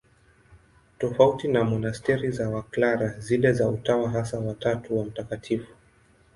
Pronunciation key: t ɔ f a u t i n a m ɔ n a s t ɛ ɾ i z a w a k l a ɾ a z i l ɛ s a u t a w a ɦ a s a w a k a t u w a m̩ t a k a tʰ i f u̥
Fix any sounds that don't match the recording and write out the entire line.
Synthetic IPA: t ɔ f a u t i n a m ɔ n a s t ɛ ɾ i z a w a k l a ɾ a z i l ɛ z a u t a w a ɦ a s a w a t a t u w a m̩ t a k a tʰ i f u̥